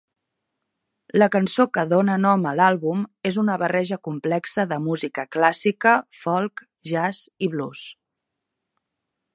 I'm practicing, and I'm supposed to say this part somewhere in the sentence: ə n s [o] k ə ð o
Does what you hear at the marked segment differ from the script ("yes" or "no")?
no